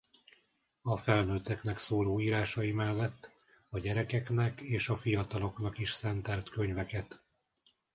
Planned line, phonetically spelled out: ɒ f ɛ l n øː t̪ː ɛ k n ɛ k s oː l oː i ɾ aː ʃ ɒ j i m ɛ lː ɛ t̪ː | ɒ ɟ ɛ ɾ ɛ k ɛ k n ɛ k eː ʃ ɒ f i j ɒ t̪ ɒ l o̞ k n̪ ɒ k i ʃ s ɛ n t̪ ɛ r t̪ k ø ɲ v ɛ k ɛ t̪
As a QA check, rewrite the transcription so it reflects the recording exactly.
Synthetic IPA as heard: ɒ f ɛ l n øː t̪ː ɛ k n ɛ k s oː l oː iː ɾ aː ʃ ɒ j i m ɛ lː ɛ t̪ː | ɒ ɟ ɛ ɾ ɛ k ɛ k n ɛ k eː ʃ ɒ f i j ɒ t̪ ɒ l o̞ k n̪ ɒ k i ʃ s ɛ n t̪ ɛ l t̪ k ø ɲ v ɛ k ɛ t̪